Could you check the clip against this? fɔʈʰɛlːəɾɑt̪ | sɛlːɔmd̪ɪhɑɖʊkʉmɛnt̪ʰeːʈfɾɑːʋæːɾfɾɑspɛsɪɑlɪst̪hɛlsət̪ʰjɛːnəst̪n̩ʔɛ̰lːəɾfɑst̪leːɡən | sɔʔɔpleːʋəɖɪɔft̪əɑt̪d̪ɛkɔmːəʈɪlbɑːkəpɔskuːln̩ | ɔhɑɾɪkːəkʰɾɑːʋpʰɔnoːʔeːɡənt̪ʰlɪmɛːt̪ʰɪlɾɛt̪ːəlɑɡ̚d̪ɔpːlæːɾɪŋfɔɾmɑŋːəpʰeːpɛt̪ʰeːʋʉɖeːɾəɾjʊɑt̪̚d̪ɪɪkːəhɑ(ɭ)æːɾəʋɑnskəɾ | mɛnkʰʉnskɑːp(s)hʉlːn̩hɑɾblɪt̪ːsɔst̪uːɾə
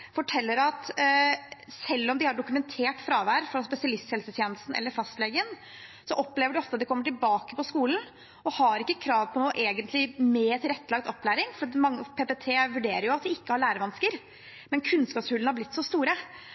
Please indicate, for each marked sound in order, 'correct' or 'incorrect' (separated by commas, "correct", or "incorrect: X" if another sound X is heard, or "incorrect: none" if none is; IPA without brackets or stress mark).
correct, correct